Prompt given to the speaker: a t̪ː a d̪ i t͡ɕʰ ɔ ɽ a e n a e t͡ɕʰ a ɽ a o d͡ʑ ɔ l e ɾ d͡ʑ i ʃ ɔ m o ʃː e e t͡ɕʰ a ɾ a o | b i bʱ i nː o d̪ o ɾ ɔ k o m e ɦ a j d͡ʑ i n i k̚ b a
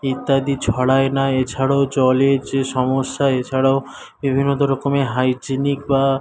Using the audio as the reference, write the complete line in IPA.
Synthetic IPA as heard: i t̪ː a d̪ i t͡ɕʰ ɔ ɽ a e n a e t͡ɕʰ a ɽ a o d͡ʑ ɔ l e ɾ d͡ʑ e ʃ ɔ m o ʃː a e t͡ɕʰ a ɽ a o | b i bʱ i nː o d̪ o ɾ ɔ k o m e ɦ a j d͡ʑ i n i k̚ b a